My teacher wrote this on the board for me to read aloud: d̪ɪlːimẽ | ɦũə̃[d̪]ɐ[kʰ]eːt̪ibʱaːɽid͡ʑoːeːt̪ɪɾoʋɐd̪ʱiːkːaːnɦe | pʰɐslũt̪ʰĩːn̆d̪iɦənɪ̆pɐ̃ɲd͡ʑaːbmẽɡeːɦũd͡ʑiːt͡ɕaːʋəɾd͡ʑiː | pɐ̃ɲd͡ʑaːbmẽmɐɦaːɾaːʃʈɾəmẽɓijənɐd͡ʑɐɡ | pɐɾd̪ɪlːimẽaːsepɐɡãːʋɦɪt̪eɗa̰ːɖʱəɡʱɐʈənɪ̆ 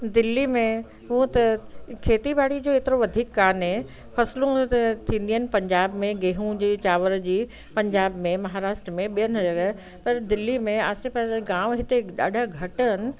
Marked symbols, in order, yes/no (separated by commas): no, yes